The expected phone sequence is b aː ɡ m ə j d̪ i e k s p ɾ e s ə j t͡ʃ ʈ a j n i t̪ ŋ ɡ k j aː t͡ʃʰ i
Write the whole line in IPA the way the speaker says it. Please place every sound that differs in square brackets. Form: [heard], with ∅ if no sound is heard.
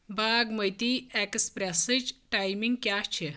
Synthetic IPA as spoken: b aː ɡ m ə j [t̪] i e k s p ɾ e s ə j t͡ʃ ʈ a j [m] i [∅] ŋ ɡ k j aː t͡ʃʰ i